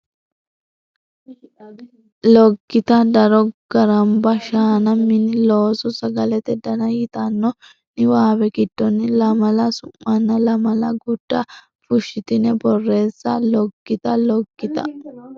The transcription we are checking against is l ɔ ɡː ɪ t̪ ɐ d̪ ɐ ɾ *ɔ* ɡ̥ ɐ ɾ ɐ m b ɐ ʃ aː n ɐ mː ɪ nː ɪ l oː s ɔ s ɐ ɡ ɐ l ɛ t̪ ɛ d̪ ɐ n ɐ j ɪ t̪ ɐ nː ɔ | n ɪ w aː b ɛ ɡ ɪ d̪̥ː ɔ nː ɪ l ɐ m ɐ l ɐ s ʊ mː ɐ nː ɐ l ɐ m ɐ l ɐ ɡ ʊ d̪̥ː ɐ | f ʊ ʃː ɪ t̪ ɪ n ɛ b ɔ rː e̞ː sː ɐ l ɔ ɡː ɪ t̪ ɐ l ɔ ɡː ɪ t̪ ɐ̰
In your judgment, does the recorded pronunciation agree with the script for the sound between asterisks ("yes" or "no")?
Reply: yes